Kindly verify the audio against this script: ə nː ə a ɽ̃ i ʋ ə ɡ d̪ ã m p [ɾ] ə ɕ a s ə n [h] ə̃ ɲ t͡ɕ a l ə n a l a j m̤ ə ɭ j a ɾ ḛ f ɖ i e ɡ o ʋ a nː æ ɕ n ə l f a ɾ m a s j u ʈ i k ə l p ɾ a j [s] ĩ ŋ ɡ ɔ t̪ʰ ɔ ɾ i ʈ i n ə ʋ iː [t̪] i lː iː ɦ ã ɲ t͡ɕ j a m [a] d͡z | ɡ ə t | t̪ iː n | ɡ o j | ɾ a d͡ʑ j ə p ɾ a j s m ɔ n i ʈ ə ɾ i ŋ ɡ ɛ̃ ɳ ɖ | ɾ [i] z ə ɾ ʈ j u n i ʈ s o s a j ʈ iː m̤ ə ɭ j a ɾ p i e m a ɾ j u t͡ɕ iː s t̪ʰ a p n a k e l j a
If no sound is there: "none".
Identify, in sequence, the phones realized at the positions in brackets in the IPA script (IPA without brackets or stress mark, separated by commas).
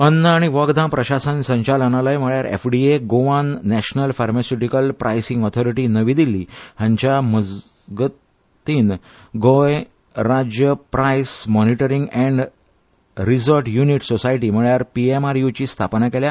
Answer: ɾ, s, s, d̪, ə, i